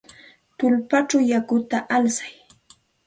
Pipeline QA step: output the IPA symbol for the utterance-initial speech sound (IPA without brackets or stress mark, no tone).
t̪